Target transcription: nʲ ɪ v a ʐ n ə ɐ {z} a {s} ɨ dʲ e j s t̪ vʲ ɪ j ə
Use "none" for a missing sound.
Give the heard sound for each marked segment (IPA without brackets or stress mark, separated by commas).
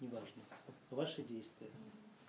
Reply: v, ʂ